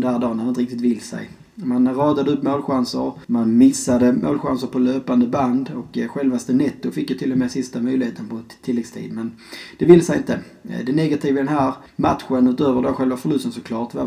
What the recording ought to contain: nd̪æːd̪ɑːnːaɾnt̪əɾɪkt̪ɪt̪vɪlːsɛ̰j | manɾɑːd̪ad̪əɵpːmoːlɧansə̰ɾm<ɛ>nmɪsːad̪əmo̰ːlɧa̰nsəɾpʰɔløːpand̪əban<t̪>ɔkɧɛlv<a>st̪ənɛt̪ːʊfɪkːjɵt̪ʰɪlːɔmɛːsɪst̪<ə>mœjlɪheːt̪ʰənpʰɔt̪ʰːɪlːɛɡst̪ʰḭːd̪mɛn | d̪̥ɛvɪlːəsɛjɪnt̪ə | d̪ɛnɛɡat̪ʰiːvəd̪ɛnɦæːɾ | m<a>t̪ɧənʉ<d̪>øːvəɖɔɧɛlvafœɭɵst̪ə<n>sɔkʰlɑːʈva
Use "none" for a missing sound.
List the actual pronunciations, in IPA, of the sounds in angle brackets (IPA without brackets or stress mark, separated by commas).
a, d̪, a, a, a, t̪, n